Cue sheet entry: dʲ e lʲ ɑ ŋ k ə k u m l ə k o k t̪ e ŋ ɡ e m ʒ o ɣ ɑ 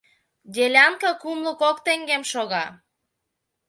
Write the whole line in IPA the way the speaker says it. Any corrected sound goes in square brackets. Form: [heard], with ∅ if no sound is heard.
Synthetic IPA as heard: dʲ e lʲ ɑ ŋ k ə k u m l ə k o k t̪ e ŋ ɡ e m [ʃ] o ɣ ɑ